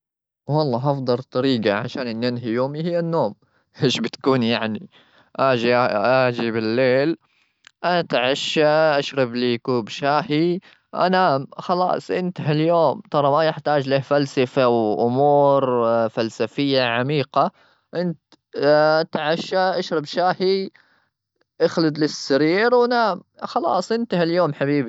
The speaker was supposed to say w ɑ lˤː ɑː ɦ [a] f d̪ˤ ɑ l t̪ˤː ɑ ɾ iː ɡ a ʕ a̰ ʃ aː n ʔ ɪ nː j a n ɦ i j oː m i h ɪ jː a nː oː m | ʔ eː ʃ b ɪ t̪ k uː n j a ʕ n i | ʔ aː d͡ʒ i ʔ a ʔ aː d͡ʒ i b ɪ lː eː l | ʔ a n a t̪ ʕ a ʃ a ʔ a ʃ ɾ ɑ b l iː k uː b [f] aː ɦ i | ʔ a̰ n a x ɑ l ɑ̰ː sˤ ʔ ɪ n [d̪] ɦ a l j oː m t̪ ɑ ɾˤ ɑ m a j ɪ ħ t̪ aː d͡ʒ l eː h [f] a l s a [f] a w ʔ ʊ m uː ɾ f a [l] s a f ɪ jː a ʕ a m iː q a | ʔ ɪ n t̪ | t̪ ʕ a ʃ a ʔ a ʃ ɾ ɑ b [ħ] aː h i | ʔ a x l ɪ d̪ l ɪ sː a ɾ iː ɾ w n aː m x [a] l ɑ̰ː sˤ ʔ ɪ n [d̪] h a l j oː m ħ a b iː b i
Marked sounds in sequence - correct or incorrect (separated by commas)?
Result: incorrect, incorrect, incorrect, correct, correct, correct, incorrect, incorrect, incorrect